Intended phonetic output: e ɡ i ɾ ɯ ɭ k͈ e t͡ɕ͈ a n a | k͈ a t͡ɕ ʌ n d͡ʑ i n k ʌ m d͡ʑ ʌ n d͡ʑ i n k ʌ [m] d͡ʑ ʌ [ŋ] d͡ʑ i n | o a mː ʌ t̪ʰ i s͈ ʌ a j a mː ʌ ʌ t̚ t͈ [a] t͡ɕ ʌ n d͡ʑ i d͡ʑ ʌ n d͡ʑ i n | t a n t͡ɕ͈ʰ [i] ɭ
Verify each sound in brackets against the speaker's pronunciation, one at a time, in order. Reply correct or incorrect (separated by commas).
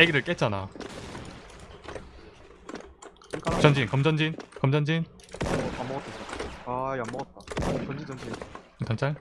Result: correct, incorrect, correct, incorrect